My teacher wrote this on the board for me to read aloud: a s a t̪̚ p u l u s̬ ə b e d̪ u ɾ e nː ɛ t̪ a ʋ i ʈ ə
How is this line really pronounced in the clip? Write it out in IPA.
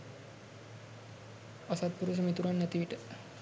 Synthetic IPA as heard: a s a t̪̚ p u ɾ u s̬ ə m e t̪ u ɾ a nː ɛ t̪ i ʋ i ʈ ə